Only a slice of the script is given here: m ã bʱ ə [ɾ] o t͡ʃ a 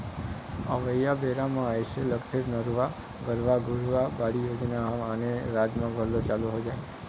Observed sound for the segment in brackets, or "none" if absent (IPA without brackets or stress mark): l